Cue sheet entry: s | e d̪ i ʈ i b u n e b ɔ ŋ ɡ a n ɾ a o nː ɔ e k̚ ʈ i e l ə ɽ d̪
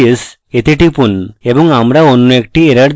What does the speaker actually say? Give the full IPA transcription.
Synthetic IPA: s | e t̪ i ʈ i p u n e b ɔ ŋ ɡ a m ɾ a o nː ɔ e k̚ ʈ i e ɾ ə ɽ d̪